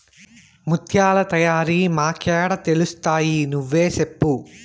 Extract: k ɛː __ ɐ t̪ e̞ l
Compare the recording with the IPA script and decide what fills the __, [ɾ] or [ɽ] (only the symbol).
ɽ